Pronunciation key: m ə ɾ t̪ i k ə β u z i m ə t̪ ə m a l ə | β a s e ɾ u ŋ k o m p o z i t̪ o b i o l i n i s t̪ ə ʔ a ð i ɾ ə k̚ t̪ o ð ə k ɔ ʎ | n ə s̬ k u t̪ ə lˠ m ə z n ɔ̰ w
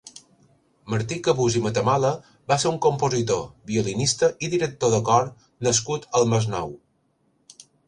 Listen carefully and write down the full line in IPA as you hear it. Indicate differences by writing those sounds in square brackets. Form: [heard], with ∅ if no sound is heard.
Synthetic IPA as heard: m ə ɾ t̪ i k ə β u z i m ə t̪ ə m a l ə | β a s e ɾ u ŋ k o m p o z i t̪ o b i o l i n i s t̪ ə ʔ [i] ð i ɾ ə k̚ t̪ o ð ə k ɔ [ɾ] | n ə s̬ k u t̪ ə lˠ m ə z n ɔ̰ w